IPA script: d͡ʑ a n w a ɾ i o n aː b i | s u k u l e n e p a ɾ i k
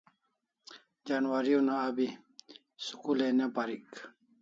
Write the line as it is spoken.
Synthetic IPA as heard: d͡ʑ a n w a ɾ i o n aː b i | s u k u l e n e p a ɾ i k

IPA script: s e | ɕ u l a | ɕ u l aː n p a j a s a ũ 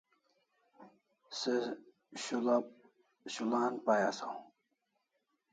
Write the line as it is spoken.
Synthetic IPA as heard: s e | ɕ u l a | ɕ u l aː n p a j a s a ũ

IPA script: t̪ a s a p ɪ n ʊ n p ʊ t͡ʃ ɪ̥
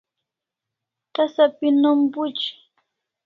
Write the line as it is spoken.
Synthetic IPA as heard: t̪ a s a p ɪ n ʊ m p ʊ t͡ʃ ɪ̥

